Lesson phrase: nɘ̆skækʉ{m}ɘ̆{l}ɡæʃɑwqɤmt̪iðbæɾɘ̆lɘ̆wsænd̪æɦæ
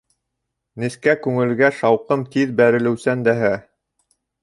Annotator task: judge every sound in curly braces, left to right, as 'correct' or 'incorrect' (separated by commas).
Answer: incorrect, correct